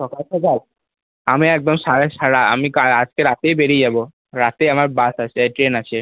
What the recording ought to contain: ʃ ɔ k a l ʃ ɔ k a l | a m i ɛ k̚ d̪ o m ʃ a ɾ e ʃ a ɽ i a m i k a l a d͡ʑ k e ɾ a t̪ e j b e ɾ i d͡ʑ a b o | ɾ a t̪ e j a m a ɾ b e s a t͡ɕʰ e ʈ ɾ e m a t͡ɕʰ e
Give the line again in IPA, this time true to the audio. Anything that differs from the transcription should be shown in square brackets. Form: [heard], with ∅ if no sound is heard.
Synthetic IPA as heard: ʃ ɔ k a l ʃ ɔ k a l | a m i ɛ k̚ d̪ o m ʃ a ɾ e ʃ a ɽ [a] a m i k a l a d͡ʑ k e ɾ a t̪ e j b e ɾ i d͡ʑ a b o | ɾ a t̪ e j a m a ɾ b [a] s a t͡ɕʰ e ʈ ɾ e [n] a t͡ɕʰ e